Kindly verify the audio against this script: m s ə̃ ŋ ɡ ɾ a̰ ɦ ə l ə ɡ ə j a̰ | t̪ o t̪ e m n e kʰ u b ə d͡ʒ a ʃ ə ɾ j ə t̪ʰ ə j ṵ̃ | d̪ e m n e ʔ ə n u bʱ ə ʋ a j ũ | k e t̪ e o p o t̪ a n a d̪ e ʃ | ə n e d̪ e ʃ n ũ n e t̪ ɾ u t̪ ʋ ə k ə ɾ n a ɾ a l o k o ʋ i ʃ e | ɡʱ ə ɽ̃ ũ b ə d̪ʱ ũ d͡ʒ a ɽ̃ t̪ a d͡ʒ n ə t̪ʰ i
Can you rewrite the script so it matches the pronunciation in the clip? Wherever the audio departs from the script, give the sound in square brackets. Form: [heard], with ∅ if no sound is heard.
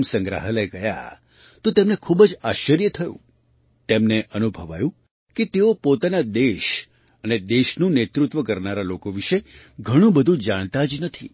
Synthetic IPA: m s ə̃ ŋ ɡ ɾ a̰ ɦ ə l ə ɡ ə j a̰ | t̪ o t̪ e m n e kʰ u b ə d͡ʒ a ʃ ə ɾ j ə t̪ʰ ə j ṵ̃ | [t̪] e m n e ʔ ə n u bʱ ə ʋ a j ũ | k e t̪ e o p o t̪ a n a d̪ e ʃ | ə n e d̪ e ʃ n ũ n e t̪ ɾ u t̪ ʋ ə k ə ɾ n a ɾ a l o k o ʋ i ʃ e | ɡʱ ə ɽ̃ ũ b ə d̪ʱ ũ d͡ʒ a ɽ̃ t̪ a d͡ʒ n ə t̪ʰ i